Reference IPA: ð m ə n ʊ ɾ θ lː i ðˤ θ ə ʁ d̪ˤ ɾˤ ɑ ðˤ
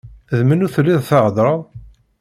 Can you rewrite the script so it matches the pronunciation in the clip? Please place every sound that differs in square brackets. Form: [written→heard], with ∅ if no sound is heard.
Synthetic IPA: ð m ə n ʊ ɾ θ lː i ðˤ θ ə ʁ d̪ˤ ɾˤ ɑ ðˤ